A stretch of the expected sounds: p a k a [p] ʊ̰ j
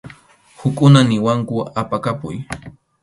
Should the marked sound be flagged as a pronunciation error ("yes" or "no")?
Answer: no